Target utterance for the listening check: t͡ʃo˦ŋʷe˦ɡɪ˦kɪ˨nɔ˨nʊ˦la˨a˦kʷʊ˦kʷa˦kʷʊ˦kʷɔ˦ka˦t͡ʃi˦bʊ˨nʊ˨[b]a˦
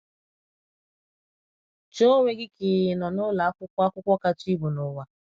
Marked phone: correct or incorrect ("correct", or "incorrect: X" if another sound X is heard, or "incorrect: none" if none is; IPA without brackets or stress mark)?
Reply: incorrect: w